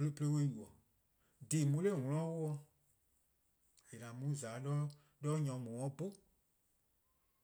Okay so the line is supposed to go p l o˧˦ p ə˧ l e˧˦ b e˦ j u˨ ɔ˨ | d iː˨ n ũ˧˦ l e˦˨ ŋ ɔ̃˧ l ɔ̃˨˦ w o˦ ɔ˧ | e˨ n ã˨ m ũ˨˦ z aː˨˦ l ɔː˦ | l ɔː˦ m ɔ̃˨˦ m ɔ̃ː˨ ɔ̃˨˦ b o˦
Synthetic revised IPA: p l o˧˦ p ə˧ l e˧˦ w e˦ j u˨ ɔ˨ | d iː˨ m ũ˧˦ l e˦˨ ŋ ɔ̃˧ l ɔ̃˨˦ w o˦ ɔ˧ | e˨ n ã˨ m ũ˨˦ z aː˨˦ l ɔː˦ | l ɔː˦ ɲ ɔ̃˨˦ m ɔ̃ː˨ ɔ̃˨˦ b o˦